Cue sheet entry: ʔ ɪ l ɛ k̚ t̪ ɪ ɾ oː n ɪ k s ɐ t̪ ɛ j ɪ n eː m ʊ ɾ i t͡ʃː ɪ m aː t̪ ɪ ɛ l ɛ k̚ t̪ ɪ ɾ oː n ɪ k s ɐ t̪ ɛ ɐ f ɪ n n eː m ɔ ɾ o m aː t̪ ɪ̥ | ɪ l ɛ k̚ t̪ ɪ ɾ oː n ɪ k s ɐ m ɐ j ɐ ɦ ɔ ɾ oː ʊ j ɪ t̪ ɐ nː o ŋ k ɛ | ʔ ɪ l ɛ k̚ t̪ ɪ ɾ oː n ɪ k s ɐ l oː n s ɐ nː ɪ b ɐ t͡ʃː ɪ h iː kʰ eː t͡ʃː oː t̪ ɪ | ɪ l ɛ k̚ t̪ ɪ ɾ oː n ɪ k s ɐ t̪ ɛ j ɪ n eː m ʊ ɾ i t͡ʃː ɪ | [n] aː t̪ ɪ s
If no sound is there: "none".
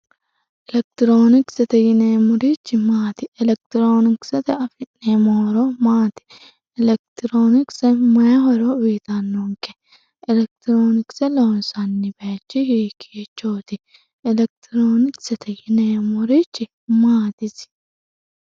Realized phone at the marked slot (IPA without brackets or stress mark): m